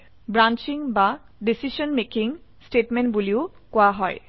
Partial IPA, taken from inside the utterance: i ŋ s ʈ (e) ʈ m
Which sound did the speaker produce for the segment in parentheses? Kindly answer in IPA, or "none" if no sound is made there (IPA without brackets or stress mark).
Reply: e